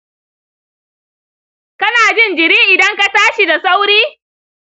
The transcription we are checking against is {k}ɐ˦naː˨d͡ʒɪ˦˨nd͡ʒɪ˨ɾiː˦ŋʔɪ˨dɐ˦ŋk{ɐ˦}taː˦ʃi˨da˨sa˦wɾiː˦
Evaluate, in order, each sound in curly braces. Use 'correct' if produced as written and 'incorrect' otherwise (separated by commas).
correct, incorrect